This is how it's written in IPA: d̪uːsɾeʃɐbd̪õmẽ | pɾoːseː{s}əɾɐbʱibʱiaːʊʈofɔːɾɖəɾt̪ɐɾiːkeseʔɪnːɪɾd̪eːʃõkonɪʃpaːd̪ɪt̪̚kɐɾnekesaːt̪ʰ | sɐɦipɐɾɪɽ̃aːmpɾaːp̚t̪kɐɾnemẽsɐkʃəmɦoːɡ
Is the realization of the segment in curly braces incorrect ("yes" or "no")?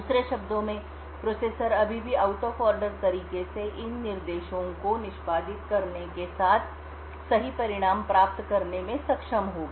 no